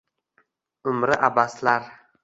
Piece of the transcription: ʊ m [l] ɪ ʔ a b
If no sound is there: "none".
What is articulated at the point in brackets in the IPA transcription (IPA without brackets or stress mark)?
ɾ